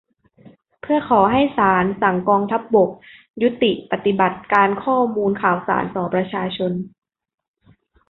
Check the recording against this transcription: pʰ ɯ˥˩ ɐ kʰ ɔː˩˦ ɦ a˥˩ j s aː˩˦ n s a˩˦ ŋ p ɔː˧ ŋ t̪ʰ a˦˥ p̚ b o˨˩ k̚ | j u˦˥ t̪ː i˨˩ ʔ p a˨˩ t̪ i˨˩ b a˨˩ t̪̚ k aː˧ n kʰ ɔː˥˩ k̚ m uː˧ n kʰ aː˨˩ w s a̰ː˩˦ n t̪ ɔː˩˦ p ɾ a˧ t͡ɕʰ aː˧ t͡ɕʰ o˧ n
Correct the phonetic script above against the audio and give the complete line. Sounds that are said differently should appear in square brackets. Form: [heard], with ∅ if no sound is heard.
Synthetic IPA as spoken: pʰ ɯ˥˩ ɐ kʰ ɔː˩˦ ɦ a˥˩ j s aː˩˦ n s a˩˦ ŋ [k] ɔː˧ ŋ t̪ʰ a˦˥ p̚ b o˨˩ k̚ | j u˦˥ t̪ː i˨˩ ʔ p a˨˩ t̪ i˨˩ b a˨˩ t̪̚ k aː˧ n kʰ ɔː˥˩ [∅] m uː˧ n kʰ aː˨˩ w s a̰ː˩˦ n t̪ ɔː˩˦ p ɾ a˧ t͡ɕʰ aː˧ t͡ɕʰ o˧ n